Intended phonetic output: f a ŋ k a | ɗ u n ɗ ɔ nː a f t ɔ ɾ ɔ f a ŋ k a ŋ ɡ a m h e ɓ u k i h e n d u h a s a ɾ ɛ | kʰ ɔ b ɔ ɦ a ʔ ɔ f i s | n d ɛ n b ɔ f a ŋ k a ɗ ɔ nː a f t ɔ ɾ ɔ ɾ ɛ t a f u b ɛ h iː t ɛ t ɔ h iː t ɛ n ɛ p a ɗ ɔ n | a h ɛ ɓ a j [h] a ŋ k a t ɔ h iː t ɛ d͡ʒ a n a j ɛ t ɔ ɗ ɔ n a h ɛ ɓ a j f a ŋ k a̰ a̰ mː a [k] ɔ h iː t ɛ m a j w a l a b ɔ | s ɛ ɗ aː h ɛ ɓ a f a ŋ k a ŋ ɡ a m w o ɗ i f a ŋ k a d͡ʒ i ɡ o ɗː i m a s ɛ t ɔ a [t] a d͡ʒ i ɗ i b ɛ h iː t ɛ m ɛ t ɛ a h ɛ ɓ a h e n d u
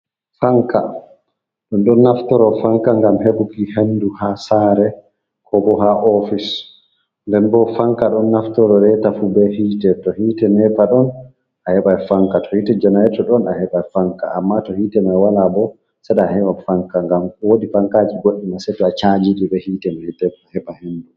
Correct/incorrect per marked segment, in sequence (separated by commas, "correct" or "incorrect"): incorrect, incorrect, incorrect